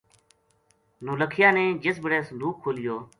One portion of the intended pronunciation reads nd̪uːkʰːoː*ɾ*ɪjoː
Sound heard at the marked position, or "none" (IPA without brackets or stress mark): l